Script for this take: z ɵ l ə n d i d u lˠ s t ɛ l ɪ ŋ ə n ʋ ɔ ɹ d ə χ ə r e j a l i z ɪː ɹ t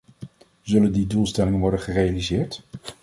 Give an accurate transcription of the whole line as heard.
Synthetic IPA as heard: z ɵ l ə n d i d u lˠ s t ɛ l ɪ ŋ ə n ʋ ɔ ɹ d ə χ ə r e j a l i z ɪː ɹ t